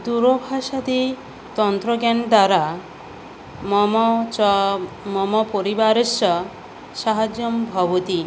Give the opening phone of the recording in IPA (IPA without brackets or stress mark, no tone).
d̪